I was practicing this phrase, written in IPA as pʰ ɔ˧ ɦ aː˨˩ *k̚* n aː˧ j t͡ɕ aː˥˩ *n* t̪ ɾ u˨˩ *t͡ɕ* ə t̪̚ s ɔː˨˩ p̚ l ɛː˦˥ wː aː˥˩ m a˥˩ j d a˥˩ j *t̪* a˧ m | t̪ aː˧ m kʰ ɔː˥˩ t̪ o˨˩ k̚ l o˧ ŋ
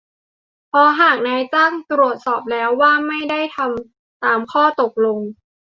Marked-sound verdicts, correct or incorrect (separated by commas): correct, incorrect, incorrect, incorrect